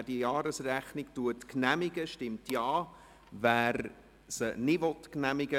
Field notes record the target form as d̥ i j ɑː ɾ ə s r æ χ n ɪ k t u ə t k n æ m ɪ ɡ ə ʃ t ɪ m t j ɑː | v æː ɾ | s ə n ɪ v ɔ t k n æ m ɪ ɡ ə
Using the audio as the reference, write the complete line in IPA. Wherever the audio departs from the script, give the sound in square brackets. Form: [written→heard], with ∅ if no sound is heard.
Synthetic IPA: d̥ i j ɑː ɾ ə s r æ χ n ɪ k t u ə t k n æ m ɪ ɡ ə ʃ t ɪ m t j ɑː | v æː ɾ | s ə n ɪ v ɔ t k n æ m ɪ ɡ ə